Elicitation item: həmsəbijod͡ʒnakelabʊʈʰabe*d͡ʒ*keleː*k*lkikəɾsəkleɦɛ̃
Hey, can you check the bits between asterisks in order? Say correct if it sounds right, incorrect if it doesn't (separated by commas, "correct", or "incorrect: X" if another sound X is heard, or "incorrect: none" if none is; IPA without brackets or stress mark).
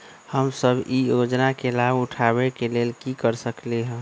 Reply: incorrect: none, incorrect: none